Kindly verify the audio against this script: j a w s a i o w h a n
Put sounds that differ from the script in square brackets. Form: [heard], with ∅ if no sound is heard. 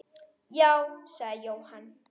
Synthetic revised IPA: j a w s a [j] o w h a n